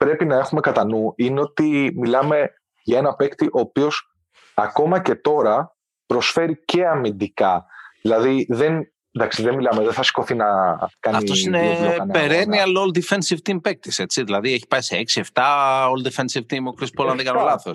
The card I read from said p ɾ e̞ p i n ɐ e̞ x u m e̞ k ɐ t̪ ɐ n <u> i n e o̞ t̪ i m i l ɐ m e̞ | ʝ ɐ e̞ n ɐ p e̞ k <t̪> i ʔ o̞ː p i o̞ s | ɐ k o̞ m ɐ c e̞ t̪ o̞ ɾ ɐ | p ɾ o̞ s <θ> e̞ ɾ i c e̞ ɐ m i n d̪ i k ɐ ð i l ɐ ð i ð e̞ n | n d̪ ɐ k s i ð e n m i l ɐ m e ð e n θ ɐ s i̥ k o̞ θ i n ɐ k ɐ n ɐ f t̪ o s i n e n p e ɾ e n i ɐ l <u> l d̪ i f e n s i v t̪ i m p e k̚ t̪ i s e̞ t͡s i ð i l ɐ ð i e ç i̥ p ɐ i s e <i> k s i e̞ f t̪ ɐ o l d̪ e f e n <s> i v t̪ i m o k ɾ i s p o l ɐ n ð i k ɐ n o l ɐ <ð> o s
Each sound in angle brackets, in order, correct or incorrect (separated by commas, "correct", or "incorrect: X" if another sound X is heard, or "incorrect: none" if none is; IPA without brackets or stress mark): correct, correct, incorrect: f, incorrect: o, incorrect: e, correct, incorrect: θ